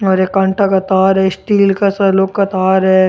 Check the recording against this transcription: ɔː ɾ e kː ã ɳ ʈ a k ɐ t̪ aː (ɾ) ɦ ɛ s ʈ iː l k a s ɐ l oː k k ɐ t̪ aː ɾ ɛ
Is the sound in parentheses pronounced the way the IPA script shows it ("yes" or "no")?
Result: yes